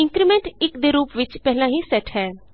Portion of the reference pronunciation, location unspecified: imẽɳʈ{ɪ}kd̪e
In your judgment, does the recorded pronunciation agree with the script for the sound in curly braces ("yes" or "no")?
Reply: yes